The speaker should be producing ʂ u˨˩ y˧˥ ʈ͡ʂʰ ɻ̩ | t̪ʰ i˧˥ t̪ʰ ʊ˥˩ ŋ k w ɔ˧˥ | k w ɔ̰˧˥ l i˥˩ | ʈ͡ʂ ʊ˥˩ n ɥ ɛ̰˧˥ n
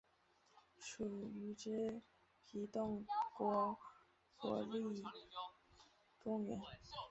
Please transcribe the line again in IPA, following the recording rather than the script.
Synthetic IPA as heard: ʂ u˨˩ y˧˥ ʈ͡ʂ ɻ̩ | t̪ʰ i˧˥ t̪ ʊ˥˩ ŋ k w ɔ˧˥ | k w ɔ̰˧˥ l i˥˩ | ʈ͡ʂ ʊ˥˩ ŋ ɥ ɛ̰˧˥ n

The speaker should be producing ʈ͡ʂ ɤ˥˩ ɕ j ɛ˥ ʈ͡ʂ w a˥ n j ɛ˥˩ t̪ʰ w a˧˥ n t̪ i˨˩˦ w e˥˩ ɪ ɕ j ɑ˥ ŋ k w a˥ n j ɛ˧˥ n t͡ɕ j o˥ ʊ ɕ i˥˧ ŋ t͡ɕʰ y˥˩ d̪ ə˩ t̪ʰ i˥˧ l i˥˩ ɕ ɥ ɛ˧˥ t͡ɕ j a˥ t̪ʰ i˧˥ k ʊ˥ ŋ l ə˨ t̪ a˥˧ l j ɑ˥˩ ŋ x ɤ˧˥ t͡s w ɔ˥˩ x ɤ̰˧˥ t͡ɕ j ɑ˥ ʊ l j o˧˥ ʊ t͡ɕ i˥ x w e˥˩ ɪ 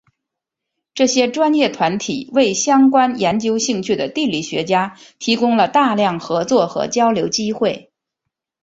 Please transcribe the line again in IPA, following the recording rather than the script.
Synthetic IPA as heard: ʈ͡ʂ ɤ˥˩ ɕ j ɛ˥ ʈ͡ʂ w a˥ n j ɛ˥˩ t̪ʰ w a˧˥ n t̪ʰ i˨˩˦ w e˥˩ ɪ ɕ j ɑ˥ ŋ k w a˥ n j ɛ˧˥ n t͡ɕ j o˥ ʊ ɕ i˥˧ ŋ t͡ɕʰ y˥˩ d̪ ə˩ t̪ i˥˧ l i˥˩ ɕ ɥ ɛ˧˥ t͡ɕ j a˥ t̪ʰ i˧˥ k ʊ˥ ŋ l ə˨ t̪ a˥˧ l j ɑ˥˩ ŋ x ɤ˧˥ t͡s w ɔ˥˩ x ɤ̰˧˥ t͡ɕ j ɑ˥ ʊ l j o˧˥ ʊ t͡ɕ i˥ x w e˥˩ ɪ

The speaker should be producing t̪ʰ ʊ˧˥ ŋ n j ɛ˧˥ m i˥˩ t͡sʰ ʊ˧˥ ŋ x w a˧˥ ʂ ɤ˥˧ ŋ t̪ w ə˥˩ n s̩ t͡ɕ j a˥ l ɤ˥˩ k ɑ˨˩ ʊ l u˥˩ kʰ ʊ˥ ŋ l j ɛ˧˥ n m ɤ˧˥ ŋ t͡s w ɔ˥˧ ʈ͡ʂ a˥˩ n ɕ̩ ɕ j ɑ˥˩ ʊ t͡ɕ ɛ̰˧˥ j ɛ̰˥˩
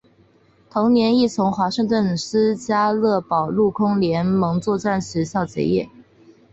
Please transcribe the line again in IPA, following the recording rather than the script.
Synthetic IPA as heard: t̪ʰ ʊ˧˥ ŋ n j ɛ˧˥ n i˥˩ t͡sʰ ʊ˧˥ ŋ x w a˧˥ ʂ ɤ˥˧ ŋ t̪ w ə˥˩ n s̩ t͡ɕ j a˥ l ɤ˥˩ p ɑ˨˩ ʊ l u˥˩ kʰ ʊ˥ ŋ l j ɛ˧˥ n m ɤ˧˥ ŋ t͡s w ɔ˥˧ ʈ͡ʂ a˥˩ n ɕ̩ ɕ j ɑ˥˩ ʊ t͡ɕ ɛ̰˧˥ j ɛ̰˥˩

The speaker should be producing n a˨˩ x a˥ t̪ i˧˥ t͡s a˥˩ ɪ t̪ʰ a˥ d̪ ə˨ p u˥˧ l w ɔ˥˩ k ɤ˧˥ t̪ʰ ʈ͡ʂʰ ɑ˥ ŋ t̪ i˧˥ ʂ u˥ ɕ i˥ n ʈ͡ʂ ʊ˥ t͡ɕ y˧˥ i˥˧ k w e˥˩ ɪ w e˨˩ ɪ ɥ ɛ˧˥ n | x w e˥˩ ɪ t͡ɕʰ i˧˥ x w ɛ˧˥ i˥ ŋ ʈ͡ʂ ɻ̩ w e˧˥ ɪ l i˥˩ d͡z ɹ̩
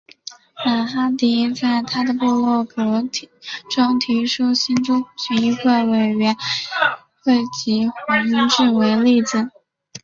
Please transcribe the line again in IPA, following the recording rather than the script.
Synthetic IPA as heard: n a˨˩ x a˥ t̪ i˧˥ t͡s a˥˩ ɪ t̪ʰ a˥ d̪ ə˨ p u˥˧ l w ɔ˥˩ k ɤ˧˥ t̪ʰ ʈ͡ʂ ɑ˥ ŋ t̪ʰ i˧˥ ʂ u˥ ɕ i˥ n ʈ͡ʂ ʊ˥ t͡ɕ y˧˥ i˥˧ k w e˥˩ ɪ w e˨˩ ɪ ɥ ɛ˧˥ n | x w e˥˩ ɪ t͡ɕ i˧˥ x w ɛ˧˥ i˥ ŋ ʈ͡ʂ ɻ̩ w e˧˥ ɪ l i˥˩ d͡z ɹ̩

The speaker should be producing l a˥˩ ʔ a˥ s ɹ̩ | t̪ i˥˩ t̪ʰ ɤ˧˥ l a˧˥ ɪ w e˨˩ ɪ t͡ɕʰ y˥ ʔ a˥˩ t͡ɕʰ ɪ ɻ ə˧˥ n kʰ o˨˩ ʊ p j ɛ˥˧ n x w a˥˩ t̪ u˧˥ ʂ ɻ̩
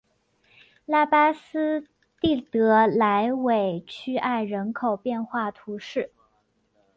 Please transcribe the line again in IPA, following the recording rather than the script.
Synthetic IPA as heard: l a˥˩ p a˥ s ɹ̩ | t̪ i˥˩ t̪ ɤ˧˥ l a˧˥ ɪ w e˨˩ ɪ t͡ɕʰ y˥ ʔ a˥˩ ɪ ɻ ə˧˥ n kʰ o˨˩ ʊ p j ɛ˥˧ n x w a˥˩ t̪ʰ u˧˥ ʂ ɻ̩

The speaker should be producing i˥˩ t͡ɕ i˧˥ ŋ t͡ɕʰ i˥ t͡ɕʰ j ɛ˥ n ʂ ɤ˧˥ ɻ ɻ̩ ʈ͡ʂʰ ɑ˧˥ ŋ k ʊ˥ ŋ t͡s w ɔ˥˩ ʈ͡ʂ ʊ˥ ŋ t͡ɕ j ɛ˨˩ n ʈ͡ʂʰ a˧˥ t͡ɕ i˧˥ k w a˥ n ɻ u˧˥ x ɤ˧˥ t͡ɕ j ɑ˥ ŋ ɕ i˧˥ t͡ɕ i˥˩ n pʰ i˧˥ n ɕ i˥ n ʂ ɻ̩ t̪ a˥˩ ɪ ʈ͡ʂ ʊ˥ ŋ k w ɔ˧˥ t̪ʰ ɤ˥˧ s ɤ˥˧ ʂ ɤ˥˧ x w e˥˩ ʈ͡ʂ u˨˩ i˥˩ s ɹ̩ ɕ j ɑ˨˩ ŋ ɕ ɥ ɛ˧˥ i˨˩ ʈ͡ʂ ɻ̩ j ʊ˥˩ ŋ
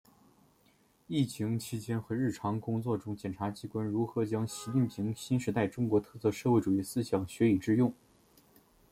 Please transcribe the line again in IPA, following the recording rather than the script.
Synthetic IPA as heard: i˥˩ t͡ɕʰ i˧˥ ŋ t͡ɕʰ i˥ t͡ɕ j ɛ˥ n x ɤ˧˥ ɻ ɻ̩ ʈ͡ʂʰ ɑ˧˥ ŋ k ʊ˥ ŋ t͡s w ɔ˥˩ ʈ͡ʂ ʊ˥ ŋ t͡ɕ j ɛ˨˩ n ʈ͡ʂʰ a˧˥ t͡ɕ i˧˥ k w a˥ n ɻ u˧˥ x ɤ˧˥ t͡ɕ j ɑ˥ ŋ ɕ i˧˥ t͡ɕ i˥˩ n pʰ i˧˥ ŋ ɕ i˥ n ʂ ɻ̩ t̪ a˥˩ ɪ ʈ͡ʂ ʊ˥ ŋ k w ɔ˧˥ t̪ʰ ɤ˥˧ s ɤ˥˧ ʂ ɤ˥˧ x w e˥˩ ʈ͡ʂ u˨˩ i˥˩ s ɹ̩ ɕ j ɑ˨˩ ŋ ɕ ɥ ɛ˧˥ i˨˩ ʈ͡ʂ ɻ̩ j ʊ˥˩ ŋ

